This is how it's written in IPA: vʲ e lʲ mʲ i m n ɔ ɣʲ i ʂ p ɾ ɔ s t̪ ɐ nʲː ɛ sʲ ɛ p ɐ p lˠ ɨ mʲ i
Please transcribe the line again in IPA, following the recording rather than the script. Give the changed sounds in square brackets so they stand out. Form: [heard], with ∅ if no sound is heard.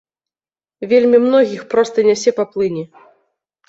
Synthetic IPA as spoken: vʲ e lʲ mʲ i m n ɔ ɣʲ i [x] p ɾ ɔ s t̪ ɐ [nʲ] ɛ sʲ ɛ p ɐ p lˠ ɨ [nʲ] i